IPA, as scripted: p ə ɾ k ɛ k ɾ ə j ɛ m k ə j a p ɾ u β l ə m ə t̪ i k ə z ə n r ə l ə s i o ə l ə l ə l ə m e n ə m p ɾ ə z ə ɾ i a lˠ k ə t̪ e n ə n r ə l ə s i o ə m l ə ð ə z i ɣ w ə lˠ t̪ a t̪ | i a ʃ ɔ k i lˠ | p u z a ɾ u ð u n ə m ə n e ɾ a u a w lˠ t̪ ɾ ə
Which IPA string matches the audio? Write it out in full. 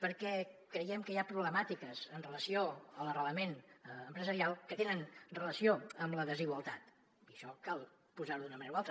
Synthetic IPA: p ə ɾ k ɛ k ɾ ə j ɛ m k ə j a p ɾ u β l ə m a t̪ i k ə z ə n r ə l ə s i o ə l ə r ə l ə m e n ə m p ɾ ə z ə ɾ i a lˠ k ə t̪ e n ə n r ə l ə s i o ə m l ə ð ə z i ɣ w ə lˠ t̪ a t̪ | i ə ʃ ɔ k a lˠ | p u z a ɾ u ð u n ə m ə n e ɾ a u a lˠ t̪ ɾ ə